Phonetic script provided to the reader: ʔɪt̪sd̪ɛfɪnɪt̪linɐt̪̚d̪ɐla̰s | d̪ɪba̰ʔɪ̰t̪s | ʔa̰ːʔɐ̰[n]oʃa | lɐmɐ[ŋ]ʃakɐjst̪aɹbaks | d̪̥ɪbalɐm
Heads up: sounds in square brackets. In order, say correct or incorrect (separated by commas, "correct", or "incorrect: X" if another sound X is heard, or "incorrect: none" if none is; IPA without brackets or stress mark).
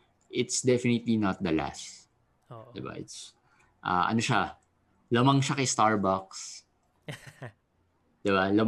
correct, correct